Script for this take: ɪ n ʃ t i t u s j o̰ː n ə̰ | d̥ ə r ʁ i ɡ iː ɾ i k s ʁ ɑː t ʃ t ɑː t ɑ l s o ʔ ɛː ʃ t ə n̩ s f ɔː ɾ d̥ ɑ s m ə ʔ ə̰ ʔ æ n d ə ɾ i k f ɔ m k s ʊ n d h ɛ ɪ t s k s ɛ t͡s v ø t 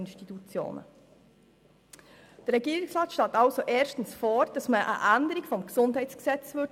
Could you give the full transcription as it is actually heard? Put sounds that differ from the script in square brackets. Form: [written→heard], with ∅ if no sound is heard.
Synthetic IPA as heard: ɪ n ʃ t i t u [s→t͡s] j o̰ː n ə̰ | d̥ ə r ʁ [i→ɛ] ɡ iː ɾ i k s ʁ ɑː t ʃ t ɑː t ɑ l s o ʔ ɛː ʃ t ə n̩ s f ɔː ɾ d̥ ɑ s m ə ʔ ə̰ ʔ æ n d ə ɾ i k f ɔ m k s ʊ n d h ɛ ɪ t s k s ɛ t͡s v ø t